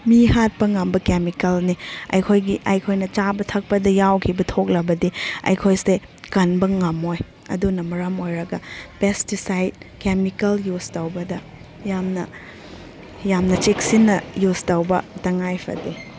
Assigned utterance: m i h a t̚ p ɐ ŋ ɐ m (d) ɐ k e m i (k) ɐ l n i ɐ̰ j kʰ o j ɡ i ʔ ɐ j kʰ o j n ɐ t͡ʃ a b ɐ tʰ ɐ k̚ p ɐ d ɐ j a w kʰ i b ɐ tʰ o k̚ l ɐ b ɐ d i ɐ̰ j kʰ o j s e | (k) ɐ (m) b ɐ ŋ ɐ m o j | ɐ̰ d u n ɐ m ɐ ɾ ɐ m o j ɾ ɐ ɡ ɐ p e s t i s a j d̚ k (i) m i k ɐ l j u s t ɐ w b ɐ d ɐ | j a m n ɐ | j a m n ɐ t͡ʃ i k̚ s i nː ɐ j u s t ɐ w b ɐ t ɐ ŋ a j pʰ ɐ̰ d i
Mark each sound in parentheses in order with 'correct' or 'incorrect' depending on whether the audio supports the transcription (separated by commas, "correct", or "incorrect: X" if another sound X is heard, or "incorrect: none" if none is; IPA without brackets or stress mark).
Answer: incorrect: b, correct, correct, incorrect: n, incorrect: e